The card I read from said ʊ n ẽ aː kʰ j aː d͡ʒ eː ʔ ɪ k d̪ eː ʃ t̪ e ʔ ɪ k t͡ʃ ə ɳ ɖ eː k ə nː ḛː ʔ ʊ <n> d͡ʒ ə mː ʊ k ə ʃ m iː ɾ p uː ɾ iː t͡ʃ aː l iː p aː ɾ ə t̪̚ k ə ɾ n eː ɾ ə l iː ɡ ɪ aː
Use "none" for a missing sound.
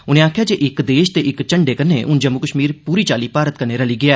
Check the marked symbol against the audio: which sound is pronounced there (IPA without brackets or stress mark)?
n